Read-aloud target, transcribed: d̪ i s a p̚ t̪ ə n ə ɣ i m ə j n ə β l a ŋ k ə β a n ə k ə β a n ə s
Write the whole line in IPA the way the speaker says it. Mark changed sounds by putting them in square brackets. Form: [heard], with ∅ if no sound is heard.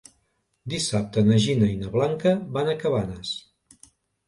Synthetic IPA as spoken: d̪ i s a p̚ t̪ ə n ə [ʒ] i [n] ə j n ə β l a ŋ k ə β a n ə k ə β a n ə s